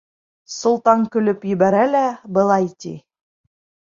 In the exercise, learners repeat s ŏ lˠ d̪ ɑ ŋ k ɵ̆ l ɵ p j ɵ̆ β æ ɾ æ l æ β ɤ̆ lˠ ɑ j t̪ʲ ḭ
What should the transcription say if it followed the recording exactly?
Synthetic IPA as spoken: s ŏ lˠ t̪ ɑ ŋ k ɵ̆ l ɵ p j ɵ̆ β æ ɾ æ l æ b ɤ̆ lˠ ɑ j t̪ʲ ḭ